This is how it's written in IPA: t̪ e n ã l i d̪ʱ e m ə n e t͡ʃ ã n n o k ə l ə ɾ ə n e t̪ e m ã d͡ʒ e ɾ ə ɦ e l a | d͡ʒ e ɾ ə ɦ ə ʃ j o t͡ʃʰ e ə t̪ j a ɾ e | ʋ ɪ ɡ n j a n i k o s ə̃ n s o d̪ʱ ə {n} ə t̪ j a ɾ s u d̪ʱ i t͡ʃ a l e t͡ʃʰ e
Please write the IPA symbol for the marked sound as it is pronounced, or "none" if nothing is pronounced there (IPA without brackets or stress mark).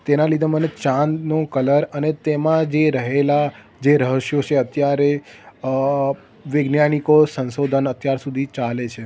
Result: n